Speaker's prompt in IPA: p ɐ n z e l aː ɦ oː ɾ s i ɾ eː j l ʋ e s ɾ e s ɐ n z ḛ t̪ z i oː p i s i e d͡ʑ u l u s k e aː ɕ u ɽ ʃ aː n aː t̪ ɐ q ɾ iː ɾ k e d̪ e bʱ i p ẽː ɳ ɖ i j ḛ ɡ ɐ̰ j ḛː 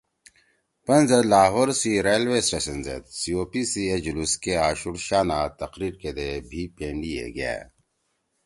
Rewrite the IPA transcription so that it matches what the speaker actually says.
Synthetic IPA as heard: p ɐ n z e l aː ɦ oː ɾ s i ɾ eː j l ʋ e s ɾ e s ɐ n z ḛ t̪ s i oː p i s i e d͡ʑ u l u s k e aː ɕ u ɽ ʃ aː n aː t̪ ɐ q ɾ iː ɾ k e d̪ e bʱ i p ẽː ɳ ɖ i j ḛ ɡ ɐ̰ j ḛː

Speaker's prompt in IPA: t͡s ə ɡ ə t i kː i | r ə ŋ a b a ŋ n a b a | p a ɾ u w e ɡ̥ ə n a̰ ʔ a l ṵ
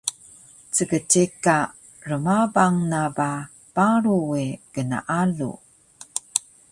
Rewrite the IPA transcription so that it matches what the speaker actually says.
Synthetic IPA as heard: t͡s ə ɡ ə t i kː a | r ə m a b a ŋ n a b a | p a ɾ u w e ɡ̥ ə n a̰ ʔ a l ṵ

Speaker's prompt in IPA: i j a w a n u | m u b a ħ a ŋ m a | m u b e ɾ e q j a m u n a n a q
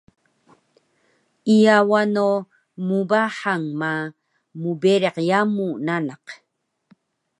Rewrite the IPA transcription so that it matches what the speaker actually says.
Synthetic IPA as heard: i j a w a n o | m u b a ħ a ŋ m a | m u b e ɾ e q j a m u n a n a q

